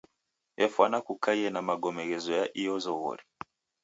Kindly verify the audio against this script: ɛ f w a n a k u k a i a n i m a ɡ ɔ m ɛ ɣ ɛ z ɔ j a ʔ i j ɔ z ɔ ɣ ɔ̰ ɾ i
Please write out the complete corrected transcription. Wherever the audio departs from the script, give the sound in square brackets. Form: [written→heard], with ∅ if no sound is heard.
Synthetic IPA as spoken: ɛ f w a n a k u k a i [a→ɛ] n [i→a] m a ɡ ɔ m ɛ ɣ ɛ z ɔ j a ʔ i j ɔ z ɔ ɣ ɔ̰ ɾ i